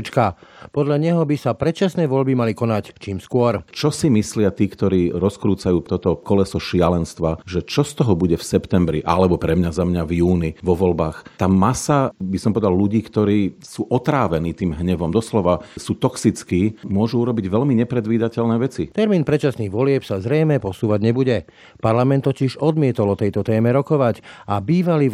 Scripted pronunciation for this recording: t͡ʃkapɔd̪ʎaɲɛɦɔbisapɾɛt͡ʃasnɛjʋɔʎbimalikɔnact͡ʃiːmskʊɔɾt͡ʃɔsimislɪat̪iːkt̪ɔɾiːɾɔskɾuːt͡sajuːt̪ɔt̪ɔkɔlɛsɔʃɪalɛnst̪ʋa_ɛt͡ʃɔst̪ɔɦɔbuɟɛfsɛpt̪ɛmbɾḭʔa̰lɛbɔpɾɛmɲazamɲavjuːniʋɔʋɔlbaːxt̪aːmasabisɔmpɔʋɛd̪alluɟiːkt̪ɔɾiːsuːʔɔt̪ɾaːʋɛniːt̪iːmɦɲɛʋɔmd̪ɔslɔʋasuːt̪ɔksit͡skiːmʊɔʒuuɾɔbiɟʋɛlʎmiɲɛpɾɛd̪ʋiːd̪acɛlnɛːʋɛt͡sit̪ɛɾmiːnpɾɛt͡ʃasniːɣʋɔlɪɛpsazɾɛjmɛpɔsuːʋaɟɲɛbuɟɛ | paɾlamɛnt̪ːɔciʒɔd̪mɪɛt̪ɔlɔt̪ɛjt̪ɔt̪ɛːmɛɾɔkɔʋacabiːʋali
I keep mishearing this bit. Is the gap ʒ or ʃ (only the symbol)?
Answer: ʒ